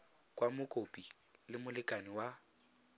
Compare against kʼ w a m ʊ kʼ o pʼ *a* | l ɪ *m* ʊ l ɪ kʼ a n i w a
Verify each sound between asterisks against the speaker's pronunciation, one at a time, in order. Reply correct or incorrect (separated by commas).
incorrect, correct